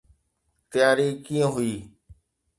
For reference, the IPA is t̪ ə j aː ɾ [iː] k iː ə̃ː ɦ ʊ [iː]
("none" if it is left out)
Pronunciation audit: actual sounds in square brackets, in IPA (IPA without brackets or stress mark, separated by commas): iː, iː